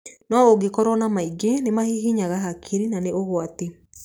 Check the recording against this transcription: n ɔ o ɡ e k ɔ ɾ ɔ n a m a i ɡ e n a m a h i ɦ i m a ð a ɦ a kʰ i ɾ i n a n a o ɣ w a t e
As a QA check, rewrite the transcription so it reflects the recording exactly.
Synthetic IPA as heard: n ɔ o ɡ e k ɔ ɾ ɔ n a m a i ɡ e n e m a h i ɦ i ɲ a ɣ a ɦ a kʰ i ɾ i n a n e o ɣ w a t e